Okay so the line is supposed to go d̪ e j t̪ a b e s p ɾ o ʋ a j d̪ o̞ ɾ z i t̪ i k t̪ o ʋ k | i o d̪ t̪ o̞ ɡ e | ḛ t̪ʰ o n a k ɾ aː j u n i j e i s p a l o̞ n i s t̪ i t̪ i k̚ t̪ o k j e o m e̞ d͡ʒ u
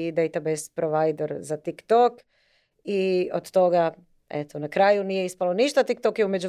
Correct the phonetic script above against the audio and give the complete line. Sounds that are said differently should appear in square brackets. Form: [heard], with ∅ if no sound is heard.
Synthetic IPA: d̪ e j t̪ a b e s p ɾ o ʋ a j d̪ o̞ ɾ z [a] t̪ i k t̪ o [∅] k | i o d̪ t̪ o̞ ɡ [a] | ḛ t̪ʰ o n a k ɾ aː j u n i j e i s p a l o̞ n i [ʃ] t̪ [a] t̪ i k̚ t̪ o k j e [u] m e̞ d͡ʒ u